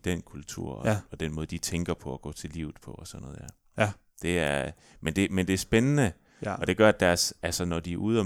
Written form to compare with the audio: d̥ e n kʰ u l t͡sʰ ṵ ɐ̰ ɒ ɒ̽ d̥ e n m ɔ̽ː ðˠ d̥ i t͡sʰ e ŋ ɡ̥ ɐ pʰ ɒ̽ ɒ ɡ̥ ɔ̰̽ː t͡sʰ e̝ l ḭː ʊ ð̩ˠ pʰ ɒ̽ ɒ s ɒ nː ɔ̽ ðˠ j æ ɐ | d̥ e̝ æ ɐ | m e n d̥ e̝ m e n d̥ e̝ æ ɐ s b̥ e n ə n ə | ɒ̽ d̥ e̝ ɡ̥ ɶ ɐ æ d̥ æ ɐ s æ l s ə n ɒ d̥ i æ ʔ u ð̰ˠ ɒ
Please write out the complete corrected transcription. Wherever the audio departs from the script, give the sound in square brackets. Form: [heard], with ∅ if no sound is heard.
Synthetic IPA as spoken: d̥ e n kʰ u l t͡sʰ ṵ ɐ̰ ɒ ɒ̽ d̥ e n m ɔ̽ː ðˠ d̥ i t͡sʰ e ŋ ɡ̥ ɐ pʰ ɒ̽ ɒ ɡ̥ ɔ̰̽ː t͡sʰ e̝ l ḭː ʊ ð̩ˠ pʰ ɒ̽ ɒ s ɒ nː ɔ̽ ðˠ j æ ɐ | d̥ e̝ æ ɐ | m e n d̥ e̝ m e n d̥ e̝ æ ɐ s b̥ e n ə n ə | ɒ̽ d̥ e̝ ɡ̥ ɶ ɐ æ d̥ æ ɐ s æ l s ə n ɒ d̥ i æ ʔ u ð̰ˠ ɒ